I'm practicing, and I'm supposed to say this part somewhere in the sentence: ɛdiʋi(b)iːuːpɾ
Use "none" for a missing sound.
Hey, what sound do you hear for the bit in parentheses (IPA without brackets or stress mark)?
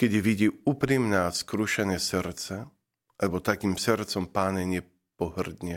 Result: ɟ